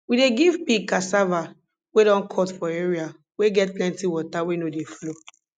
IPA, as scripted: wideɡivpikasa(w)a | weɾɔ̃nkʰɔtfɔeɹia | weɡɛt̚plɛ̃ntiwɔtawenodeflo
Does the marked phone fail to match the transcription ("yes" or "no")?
yes